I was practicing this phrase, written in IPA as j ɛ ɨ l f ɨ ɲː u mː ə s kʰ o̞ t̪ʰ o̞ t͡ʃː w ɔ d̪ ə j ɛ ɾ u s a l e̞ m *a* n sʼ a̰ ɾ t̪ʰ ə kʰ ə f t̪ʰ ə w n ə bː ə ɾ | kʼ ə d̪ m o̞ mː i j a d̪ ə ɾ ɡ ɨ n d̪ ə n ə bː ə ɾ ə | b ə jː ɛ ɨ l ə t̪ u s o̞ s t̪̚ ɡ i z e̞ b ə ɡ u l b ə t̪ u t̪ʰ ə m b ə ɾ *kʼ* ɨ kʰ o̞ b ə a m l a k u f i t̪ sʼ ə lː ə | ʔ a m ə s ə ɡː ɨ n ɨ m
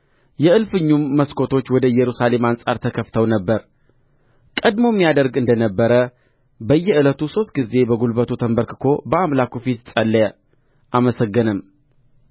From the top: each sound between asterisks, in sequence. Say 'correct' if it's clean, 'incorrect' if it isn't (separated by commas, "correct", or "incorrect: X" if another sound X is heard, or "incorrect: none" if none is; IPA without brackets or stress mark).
correct, incorrect: k